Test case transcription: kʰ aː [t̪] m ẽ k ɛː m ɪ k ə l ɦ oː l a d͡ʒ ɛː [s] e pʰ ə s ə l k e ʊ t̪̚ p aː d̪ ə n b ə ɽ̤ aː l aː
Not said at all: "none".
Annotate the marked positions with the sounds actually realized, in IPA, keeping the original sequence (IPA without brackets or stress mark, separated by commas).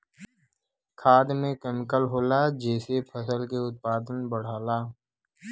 d̪, s